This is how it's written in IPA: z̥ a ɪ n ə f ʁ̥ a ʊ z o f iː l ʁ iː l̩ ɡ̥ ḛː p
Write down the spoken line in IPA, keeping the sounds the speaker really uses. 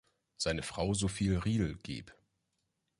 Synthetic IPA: z̥ a ɪ n ə f ʁ̥ a ʊ z o f iː l ʁ iː l̩ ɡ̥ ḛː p